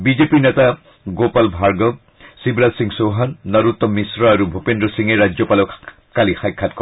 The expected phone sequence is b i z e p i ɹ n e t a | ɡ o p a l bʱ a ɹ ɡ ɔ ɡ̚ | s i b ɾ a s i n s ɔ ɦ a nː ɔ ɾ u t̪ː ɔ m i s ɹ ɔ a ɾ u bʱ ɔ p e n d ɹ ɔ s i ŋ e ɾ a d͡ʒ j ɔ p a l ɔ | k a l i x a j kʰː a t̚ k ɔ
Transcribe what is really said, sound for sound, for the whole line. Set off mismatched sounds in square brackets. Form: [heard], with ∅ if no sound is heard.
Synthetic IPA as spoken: b i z e p i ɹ n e t a | ɡ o p a l bʱ a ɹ ɡ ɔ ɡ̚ | s i b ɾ a s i [ŋ] s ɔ ɦ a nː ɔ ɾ u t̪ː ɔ m i s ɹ ɔ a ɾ u bʱ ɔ p e n d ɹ ɔ s i ŋ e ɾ a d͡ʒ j ɔ p a l ɔ | k a l i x a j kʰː a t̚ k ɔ